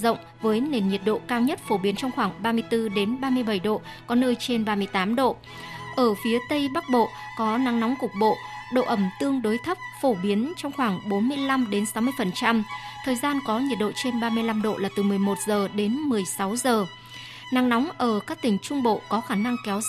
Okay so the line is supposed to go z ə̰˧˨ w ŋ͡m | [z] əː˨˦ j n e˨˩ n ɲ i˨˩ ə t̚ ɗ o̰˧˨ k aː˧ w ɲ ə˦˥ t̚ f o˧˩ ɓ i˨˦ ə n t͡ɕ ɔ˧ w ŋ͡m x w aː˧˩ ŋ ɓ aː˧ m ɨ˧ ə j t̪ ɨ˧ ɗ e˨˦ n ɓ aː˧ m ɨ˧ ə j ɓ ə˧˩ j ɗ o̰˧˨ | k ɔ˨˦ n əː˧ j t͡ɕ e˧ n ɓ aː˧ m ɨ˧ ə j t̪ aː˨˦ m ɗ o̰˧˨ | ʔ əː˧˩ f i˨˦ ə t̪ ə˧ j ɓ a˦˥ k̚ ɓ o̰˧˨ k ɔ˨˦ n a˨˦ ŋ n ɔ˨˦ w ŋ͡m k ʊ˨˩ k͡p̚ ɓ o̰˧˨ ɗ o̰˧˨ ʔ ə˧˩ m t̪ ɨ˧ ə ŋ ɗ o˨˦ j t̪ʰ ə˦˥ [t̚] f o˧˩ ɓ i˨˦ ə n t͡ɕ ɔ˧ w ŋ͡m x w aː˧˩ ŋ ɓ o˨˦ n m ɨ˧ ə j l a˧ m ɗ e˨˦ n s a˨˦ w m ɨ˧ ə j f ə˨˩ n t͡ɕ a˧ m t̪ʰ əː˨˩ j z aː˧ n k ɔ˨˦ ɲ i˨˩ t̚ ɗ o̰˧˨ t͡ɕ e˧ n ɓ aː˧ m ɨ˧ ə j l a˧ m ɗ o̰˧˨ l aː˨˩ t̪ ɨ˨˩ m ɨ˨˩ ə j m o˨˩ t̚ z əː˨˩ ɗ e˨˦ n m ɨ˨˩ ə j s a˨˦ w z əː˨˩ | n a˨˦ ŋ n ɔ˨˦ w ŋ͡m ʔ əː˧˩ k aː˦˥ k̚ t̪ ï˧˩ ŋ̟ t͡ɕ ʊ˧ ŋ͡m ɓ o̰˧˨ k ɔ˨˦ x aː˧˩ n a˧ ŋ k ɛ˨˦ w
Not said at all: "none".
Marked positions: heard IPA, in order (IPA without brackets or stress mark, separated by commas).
v, p̚